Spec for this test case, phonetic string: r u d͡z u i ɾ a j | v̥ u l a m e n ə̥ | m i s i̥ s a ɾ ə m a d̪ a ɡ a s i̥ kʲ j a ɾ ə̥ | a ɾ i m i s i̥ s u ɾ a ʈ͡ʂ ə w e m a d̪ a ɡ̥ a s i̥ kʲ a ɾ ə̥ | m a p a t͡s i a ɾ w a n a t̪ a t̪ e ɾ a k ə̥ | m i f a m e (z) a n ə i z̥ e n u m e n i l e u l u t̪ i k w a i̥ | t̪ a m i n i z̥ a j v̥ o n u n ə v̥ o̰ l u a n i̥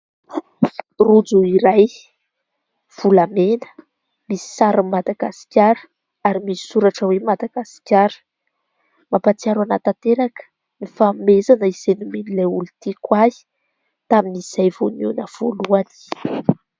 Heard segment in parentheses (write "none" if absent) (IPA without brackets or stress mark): z